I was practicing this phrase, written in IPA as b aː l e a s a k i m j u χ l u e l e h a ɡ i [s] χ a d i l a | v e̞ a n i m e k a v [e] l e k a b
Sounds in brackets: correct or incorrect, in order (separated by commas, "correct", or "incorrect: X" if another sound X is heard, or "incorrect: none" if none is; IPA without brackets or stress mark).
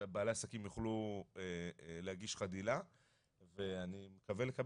incorrect: ʃ, correct